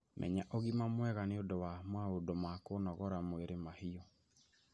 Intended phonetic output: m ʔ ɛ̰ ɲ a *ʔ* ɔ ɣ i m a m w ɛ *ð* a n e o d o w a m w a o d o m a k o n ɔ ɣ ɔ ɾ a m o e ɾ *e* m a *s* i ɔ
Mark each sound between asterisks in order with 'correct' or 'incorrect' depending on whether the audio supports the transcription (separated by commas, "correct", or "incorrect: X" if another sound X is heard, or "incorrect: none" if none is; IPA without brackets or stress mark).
correct, incorrect: ɣ, correct, incorrect: h